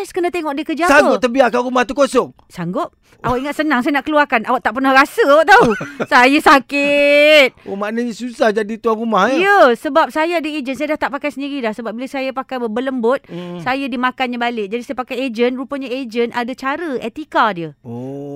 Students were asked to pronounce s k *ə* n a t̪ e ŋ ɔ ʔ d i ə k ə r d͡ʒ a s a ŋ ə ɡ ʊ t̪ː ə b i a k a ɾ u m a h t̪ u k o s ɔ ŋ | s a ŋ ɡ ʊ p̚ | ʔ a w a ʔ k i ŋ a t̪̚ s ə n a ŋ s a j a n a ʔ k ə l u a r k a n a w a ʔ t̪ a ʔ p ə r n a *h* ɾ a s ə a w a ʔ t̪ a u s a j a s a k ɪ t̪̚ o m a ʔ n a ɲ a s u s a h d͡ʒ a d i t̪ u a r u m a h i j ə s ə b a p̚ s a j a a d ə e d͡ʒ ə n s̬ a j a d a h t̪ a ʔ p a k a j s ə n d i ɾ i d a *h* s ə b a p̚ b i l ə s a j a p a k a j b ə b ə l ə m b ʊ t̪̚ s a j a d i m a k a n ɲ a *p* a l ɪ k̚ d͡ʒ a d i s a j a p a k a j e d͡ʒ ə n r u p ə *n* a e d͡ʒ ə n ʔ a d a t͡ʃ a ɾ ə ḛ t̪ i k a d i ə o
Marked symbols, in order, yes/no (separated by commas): yes, yes, yes, no, no